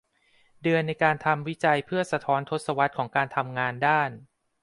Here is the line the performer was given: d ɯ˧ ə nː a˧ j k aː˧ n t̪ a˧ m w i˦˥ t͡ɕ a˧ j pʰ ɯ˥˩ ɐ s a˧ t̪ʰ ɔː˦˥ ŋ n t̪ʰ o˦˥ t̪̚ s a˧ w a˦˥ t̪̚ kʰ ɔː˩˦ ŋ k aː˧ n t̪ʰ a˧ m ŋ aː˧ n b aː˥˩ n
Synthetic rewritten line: d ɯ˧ ə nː a˧ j k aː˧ n t̪ʰ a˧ m w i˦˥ t͡ɕ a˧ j pʰ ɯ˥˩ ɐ s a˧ t̪ʰ ɔː˦˥ n t̪ʰ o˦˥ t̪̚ s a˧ w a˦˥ t̪̚ kʰ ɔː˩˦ ŋ k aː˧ n t̪ʰ a˧ m ŋ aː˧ n d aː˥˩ n